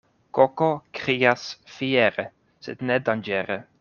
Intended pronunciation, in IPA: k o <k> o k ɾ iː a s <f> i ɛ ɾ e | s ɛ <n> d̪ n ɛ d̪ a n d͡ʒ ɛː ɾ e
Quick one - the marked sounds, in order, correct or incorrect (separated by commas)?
correct, correct, incorrect